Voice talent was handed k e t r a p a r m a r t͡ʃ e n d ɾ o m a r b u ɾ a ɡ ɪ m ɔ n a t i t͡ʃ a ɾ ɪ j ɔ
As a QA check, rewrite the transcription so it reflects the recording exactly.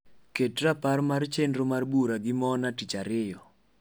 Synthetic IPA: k e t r a p a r m a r t͡ʃ e n d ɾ o m a r b u ɾ a ɡ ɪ m ɔ n a t i t͡ʃ a ɾ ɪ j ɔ